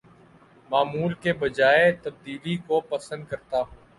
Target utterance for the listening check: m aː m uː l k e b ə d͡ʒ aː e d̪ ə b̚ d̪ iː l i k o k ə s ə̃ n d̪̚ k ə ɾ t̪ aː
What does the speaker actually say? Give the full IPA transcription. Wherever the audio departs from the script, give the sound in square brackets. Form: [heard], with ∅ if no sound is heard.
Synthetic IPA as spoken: m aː m uː l k e b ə d͡ʒ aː e [t̪] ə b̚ d̪ iː l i k o [p] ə s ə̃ n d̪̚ k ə ɾ t̪ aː